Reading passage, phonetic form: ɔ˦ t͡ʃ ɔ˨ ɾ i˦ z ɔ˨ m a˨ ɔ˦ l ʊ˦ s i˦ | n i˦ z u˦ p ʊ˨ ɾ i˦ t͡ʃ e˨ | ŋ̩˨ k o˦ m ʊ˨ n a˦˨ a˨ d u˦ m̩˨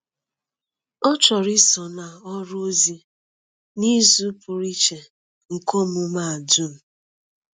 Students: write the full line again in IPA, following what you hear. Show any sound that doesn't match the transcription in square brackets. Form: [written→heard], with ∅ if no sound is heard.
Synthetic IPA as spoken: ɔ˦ t͡ʃ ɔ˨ ɾ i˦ [z→s] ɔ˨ [m→n] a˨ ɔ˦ [l→ɾ] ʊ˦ [s→z] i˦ | n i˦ z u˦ p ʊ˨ ɾ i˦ t͡ʃ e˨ | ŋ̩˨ k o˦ m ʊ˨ [n→m] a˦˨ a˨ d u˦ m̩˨